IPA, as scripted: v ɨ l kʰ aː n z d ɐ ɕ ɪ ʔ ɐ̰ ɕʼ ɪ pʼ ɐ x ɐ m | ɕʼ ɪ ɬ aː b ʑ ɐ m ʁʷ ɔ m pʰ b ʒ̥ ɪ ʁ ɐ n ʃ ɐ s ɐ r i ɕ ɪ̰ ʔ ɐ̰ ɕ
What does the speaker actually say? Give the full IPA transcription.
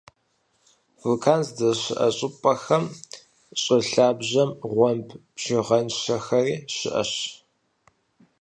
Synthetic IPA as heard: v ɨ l kʰ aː n z d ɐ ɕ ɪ ʔ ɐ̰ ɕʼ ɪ pʼ ɐ x ɐ m | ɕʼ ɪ ɬ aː b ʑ ɐ m ʁʷ ɔ m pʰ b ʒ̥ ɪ ʁ ɐ n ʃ ɐ x ɐ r iː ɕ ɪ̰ ʔ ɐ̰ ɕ